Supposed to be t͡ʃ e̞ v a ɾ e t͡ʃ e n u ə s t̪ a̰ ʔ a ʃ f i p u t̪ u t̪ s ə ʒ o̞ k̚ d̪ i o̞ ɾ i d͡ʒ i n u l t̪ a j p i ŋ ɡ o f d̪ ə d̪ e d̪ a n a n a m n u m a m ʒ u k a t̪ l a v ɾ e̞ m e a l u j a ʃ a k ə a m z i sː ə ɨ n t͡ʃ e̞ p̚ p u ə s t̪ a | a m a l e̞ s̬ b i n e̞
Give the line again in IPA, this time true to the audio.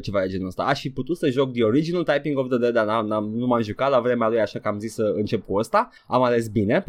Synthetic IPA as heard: t͡ʃ e̞ v a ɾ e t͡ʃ e n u ə s t̪ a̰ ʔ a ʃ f i p u t̪ u t̪ s ə ʒ o̞ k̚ d̪ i o̞ ɾ i d͡ʒ i n u l t̪ a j p i ŋ ɡ o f d̪ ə d̪ e d̪ a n a n a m n u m a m ʒ u k a t̪ l a v ɾ e̞ m e a l u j a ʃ a k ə a m z i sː ə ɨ n t͡ʃ e̞ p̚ k u ə s t̪ a | a m a l e̞ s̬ b i n e̞